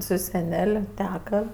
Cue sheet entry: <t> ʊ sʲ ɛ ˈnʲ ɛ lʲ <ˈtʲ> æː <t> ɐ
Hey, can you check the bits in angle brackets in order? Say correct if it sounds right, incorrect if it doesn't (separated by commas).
incorrect, correct, incorrect